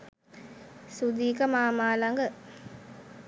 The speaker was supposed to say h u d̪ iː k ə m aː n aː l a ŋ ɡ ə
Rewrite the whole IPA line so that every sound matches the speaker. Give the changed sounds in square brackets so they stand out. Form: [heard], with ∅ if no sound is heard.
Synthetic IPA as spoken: [s] u d̪ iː k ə m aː [m] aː l a ŋ ɡ ə